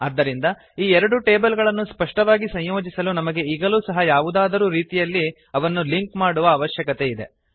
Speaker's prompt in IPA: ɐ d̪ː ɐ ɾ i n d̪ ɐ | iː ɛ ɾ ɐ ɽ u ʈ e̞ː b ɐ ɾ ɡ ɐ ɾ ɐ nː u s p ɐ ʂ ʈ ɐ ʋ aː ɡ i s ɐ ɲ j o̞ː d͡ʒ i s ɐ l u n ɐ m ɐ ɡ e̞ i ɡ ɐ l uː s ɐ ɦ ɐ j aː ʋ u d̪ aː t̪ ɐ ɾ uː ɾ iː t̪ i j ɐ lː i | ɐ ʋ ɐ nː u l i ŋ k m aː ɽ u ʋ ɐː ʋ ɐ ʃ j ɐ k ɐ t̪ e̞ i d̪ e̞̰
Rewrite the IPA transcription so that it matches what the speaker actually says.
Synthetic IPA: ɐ d̪ː ɐ ɾ i n d̪ ɐ | iː ɛ ɾ ɐ ɽ u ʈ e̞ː b ɐ l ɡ ɐ ɭ ɐ nː u s p ɐ ʂ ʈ ɐ ʋ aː ɡ i s ɐ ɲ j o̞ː d͡ʒ i s ɐ l u n ɐ m ɐ ɡ e̞ i ɡ ɐ l uː s ɐ ɦ ɐ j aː ʋ u d̪ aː d̪ ɐ ɾ uː ɾ iː t̪ i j ɐ lː i | ɐ ʋ ɐ nː u l i ŋ k m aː ɽ u ʋ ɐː ʋ ɐ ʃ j ɐ k ɐ t̪ e̞ i d̪ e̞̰